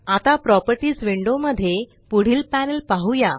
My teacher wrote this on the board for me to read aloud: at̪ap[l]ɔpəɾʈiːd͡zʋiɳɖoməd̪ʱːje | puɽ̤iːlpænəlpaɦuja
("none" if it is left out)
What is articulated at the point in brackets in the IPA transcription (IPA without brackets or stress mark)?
ɾ